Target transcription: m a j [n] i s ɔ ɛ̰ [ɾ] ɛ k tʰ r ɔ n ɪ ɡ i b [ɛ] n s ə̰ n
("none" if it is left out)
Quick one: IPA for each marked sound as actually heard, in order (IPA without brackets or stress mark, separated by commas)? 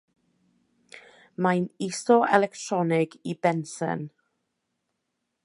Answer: n, l, ɛ